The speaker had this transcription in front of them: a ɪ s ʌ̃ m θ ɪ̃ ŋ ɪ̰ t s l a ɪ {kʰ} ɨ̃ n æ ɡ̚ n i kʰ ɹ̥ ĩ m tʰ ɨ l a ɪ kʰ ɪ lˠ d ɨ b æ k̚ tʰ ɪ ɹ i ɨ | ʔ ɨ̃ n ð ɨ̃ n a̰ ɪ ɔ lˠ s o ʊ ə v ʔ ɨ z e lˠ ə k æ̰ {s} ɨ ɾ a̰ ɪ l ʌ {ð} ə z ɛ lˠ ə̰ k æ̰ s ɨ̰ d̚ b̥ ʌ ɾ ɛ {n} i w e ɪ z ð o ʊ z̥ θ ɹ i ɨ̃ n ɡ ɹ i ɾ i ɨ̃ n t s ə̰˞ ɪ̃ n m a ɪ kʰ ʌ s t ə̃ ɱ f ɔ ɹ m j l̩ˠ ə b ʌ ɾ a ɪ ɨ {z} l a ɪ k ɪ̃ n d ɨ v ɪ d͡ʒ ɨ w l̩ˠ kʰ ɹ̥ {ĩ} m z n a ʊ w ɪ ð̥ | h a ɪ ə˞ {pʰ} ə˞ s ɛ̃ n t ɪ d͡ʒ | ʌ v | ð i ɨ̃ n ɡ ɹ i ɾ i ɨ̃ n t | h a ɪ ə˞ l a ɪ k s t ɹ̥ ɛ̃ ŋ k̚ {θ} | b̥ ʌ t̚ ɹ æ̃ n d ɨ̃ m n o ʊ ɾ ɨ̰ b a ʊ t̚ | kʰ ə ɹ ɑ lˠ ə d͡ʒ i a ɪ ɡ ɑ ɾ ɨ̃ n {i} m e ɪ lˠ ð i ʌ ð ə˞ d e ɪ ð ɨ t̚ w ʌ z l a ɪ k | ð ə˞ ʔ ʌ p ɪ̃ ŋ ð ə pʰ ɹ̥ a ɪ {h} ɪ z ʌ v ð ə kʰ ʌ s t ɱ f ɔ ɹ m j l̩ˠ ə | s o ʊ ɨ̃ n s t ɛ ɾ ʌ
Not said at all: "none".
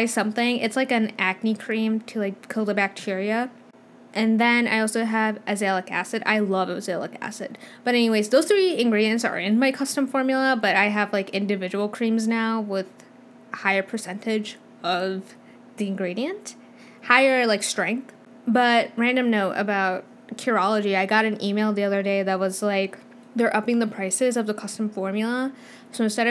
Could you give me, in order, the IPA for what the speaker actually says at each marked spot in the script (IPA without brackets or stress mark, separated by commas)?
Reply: k, s, v, n, v, ĩ, pʰ, θ, i, s